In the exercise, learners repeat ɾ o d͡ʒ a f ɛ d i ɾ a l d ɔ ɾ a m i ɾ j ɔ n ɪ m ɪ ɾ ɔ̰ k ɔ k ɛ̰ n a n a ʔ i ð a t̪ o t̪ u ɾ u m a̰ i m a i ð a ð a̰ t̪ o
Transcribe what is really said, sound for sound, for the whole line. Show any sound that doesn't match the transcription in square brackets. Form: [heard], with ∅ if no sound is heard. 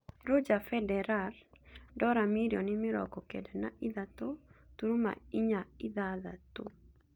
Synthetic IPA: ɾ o d͡ʒ a f ɛ d [ɛ] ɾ a l d ɔ ɾ a m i ɾ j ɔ n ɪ m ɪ ɾ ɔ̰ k ɔ k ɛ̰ [d] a n a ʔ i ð a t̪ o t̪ u ɾ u m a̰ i [ɲ] a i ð a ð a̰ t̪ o